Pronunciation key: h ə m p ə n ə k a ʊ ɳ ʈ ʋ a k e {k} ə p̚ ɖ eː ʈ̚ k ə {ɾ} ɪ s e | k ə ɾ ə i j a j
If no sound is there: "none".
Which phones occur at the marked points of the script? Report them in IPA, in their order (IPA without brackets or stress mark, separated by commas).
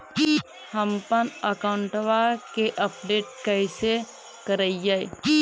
ʔ, none